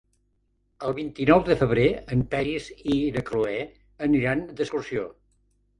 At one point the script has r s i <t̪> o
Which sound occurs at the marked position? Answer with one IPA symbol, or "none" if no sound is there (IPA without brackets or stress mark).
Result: none